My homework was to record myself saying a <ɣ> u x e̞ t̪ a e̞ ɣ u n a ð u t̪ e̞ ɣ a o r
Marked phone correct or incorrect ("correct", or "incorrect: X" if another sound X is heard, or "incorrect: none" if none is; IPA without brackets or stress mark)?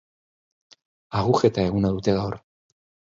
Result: correct